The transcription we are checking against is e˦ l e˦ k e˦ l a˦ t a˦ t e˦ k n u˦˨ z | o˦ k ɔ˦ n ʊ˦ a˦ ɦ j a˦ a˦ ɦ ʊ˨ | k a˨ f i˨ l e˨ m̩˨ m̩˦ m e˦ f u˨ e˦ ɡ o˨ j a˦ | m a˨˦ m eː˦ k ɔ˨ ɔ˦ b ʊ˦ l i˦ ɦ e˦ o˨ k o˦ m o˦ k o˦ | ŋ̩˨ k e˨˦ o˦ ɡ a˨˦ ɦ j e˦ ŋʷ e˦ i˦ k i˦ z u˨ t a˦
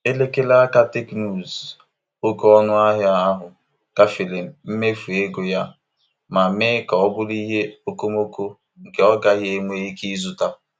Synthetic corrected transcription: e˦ l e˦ k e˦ l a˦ k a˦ t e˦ k n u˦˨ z | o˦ k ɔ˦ n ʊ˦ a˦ ɦ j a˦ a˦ ɦ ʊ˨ | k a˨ f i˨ l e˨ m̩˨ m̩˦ m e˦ f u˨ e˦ ɡ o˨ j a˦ | m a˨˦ m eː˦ k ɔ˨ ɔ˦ b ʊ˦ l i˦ ɦ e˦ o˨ k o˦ m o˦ k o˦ | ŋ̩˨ k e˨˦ ɔ˦ ɡ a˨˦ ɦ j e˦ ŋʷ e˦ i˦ k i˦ z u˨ t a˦